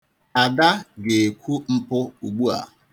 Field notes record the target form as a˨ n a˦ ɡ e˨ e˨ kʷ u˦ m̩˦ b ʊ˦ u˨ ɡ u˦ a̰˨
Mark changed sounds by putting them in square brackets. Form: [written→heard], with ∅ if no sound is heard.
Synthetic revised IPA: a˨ [n→d] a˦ ɡ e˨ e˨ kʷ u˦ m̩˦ [b→p] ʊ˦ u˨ [ɡ→ɡ͡b] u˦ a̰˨